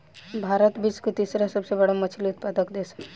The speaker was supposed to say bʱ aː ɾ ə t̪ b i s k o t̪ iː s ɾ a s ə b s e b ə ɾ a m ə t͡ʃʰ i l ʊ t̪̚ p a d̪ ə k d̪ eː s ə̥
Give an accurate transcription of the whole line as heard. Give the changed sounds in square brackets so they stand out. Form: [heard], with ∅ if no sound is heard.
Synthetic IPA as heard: bʱ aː ɾ ə t̪ b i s k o t̪ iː s ɾ a s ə b s e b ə [ɽ] a m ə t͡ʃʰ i l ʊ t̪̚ p a d̪ ə k d̪ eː s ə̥